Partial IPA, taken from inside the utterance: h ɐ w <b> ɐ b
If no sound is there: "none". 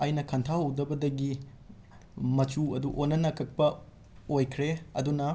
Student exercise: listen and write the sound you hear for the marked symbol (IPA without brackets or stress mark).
d